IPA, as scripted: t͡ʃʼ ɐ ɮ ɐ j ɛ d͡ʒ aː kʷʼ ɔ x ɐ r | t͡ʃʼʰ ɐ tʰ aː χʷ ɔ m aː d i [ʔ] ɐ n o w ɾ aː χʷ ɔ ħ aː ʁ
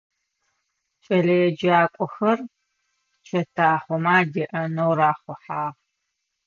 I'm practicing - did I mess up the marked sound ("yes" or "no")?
no